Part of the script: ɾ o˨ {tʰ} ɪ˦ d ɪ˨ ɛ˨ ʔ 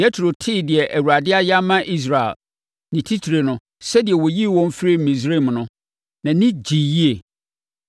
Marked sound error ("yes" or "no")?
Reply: no